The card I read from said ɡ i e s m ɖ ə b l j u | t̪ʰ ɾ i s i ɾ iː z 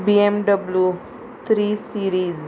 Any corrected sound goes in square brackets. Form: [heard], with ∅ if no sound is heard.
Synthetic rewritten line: [b] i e [∅] m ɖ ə b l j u | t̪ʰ ɾ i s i ɾ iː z

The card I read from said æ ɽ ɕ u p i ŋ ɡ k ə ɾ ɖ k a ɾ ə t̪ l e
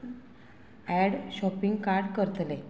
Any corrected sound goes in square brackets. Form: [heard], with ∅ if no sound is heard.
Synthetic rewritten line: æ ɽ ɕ [ɔ] p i ŋ ɡ k [a] ɾ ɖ k [ə] ɾ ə t̪ l e

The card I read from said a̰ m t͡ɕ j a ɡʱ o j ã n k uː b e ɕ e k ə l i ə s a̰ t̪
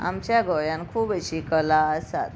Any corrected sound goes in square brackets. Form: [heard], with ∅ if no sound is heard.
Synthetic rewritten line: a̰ m t͡ɕ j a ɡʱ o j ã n [kʰ] uː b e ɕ [i] k ə l [a] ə s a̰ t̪

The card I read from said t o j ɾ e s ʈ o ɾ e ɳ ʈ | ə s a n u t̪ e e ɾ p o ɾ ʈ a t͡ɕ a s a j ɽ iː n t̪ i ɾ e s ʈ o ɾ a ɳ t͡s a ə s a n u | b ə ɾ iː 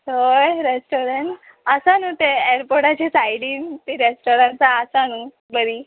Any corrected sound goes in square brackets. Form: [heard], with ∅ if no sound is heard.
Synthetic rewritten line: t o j ɾ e s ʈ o ɾ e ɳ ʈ | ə s a n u t̪ e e ɾ p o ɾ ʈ a t͡ɕ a s a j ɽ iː n t̪ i ɾ e s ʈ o ɾ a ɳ t͡s a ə s a n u | b ə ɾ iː

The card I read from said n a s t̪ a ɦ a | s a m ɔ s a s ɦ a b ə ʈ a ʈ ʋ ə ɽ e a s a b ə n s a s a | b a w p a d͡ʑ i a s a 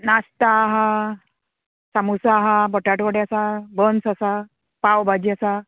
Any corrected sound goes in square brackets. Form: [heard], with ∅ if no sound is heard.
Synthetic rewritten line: n a s t̪ a ɦ a | s a m [u] s a [∅] ɦ a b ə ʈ a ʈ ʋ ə ɽ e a s a b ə n s a s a | [p] a w [b] a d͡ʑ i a s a

